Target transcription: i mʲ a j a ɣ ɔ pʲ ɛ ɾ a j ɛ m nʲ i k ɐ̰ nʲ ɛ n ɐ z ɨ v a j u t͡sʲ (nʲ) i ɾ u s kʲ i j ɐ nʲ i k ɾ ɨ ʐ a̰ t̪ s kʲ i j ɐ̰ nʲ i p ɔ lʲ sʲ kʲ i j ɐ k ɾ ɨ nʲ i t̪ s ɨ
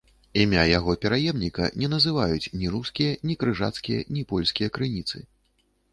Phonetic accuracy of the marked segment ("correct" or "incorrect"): correct